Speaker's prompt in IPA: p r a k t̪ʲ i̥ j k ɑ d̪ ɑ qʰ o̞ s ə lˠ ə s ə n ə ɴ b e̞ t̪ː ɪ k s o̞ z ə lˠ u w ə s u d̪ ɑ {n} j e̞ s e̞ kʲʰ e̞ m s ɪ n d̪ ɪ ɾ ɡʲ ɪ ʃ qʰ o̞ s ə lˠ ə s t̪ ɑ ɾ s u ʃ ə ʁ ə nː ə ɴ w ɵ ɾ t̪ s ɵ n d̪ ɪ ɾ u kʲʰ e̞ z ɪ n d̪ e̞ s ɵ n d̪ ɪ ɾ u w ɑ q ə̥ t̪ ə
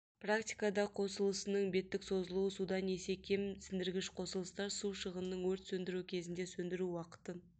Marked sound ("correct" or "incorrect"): correct